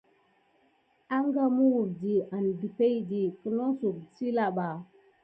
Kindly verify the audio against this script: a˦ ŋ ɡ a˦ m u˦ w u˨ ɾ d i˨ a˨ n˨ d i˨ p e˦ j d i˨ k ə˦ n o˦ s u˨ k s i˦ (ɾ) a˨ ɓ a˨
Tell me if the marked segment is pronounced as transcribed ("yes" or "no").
no